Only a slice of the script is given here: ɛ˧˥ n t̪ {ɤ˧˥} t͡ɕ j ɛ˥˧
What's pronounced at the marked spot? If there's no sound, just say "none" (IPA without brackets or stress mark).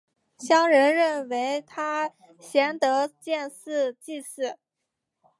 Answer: ɤ˧˥